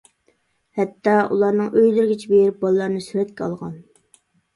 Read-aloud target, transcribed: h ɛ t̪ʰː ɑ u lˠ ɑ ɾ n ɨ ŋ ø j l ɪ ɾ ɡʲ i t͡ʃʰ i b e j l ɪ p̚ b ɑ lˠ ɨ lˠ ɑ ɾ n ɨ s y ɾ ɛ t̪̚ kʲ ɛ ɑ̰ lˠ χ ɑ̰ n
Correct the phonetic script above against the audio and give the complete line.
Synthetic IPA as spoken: h ɛ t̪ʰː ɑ u lˠ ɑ ɾ n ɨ ŋ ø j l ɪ ɾ ɡʲ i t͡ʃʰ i b e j ɾ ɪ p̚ b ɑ lˠ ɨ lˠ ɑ ɾ n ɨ s y ɾ ɛ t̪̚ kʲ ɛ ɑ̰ lˠ ʁ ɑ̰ n